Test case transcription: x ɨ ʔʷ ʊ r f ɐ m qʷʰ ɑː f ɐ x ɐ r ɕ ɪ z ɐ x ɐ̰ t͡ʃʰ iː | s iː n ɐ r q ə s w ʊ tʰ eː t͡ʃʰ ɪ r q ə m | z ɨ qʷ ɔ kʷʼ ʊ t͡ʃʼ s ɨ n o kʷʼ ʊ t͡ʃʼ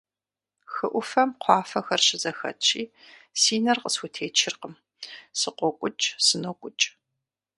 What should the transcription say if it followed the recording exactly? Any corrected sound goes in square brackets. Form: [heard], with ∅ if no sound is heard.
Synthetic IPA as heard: x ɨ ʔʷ ʊ [∅] f ɐ m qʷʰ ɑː f ɐ x ɐ r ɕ ɪ z ɐ x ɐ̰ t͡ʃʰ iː | s iː n ɐ r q ə s w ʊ tʰ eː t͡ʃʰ ɪ r q ə m | [s] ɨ qʷ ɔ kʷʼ ʊ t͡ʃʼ s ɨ n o kʷʼ ʊ t͡ʃʼ